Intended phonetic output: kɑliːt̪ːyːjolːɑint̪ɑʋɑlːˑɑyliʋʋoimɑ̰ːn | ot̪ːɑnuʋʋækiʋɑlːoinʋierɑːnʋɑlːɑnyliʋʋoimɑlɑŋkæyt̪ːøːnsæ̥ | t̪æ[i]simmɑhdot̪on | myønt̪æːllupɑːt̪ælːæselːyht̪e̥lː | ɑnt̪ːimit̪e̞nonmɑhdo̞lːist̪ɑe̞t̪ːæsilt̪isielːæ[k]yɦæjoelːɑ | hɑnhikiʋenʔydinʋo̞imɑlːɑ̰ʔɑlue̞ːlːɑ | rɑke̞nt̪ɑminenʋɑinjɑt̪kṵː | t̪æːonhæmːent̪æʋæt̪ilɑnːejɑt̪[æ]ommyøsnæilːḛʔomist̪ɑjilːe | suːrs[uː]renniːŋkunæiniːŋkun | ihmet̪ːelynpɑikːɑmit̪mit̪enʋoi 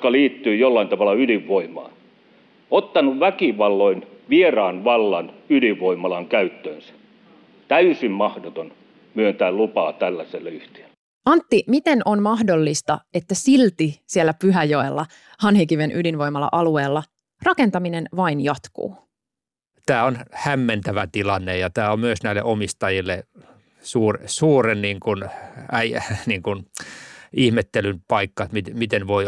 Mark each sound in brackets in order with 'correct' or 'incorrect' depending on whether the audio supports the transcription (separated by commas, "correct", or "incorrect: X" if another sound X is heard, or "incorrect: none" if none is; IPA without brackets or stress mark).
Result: incorrect: y, incorrect: p, incorrect: æː, correct